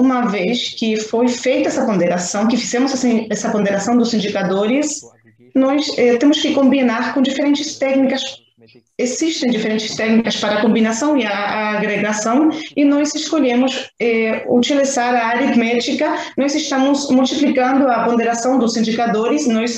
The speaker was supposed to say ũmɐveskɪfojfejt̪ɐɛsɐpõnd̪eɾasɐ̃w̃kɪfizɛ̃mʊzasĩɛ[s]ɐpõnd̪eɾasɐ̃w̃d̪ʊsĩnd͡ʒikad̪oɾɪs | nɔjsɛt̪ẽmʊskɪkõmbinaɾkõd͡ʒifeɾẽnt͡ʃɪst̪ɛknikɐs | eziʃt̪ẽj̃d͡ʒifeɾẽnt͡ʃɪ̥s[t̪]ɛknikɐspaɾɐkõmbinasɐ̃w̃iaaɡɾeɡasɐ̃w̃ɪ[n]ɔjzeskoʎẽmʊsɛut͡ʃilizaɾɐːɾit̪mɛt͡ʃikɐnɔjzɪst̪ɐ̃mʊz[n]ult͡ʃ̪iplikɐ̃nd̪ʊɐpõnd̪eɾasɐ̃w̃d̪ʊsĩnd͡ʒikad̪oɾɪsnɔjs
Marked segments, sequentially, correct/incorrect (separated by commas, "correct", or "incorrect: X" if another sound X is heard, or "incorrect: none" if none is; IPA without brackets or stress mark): correct, correct, correct, incorrect: m